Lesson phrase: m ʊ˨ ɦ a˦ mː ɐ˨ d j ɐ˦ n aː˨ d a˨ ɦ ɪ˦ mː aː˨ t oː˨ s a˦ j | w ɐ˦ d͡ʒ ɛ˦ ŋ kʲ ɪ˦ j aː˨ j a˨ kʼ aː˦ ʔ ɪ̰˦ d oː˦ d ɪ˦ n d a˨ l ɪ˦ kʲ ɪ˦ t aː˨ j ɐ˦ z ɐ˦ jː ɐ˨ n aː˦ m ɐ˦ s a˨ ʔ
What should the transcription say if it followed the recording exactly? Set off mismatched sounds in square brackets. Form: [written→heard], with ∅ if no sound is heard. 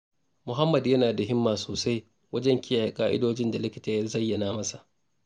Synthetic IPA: m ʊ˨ ɦ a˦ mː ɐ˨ d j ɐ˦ n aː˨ d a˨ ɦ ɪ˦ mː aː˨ [t→s] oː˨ s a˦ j | w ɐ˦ d͡ʒ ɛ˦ ŋ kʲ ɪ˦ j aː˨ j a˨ kʼ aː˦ ʔ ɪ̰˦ d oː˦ [d→d͡ʒ] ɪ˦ n d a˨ l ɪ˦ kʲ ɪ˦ t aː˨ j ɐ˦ z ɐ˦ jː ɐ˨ n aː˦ m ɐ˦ s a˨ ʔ